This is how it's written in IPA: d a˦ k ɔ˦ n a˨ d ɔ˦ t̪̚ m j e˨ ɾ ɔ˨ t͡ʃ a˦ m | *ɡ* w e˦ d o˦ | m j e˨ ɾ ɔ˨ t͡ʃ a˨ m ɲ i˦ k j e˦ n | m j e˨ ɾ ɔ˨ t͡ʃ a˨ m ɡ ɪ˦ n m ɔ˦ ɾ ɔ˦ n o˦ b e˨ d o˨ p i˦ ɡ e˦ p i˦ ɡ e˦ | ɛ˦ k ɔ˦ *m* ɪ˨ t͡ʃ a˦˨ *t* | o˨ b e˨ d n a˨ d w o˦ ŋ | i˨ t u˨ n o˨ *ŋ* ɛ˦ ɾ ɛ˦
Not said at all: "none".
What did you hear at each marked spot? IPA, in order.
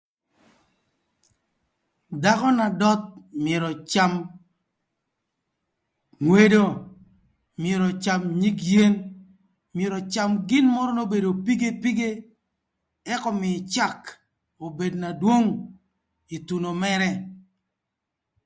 ŋ, m, k, m

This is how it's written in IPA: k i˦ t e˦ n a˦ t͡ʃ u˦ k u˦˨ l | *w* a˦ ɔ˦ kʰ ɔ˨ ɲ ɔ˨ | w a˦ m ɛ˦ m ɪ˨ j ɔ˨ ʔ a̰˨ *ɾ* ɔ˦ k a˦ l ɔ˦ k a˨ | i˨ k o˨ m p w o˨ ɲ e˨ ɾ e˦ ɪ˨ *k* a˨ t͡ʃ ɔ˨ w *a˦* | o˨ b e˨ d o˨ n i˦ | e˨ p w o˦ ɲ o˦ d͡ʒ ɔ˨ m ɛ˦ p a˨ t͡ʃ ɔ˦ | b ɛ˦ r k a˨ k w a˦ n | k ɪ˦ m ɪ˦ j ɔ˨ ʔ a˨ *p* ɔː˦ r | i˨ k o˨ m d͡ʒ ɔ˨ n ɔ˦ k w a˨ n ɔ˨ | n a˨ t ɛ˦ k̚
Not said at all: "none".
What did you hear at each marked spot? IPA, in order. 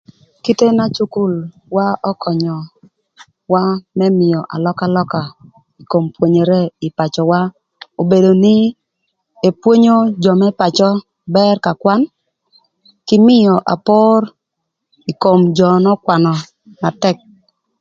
w, l, p, a˦, p

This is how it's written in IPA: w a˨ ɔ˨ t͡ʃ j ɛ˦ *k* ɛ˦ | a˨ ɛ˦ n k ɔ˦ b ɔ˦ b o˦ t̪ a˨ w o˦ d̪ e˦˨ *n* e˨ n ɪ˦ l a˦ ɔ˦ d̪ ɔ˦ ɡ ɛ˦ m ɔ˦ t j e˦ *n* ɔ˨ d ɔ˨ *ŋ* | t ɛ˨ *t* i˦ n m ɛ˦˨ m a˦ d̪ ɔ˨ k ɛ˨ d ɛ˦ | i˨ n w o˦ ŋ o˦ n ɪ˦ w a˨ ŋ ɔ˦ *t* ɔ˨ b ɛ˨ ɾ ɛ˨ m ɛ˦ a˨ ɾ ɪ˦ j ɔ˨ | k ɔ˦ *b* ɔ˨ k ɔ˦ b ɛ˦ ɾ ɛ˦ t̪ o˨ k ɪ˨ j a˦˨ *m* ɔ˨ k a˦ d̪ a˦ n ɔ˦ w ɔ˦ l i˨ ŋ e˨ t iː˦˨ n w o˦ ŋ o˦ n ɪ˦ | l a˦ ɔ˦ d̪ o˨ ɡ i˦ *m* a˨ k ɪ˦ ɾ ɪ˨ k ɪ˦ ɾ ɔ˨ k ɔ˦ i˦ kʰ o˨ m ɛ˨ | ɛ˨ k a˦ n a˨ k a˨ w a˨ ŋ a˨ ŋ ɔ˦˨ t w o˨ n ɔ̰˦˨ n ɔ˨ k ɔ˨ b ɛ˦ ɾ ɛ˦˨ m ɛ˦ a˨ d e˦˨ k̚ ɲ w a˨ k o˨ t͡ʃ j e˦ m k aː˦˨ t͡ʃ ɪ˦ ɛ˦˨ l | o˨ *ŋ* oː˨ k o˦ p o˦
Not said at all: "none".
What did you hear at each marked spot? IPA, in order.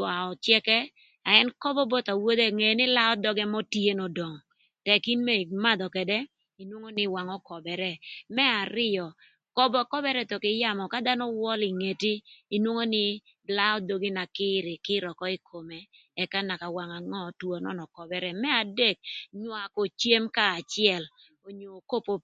k, ŋ, n, ŋ, k, k, b, m, n, ɲ

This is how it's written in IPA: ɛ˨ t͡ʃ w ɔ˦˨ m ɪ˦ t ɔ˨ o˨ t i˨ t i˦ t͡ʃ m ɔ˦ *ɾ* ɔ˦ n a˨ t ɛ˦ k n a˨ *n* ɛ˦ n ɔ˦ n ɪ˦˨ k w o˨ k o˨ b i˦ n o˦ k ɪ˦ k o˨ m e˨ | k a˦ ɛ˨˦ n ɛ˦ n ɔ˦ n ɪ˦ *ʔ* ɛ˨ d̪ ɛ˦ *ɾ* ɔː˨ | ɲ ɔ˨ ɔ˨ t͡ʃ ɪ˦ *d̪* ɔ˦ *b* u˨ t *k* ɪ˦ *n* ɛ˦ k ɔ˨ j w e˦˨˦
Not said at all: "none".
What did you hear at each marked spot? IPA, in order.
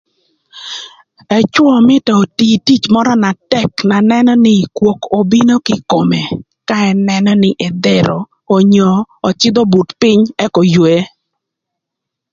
ɾ, n, ʔ, ɾ, d̪, b, p, ɲ

